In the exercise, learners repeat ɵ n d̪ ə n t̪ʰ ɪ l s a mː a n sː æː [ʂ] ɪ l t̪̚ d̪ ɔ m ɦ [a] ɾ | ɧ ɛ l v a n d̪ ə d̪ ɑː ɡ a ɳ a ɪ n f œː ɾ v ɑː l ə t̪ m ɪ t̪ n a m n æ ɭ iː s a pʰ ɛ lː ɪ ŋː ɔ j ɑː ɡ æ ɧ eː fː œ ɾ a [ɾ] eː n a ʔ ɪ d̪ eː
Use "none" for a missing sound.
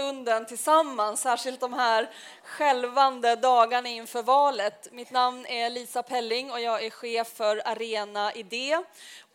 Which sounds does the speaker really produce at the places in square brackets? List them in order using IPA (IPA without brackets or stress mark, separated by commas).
ʂ, æ, ɾ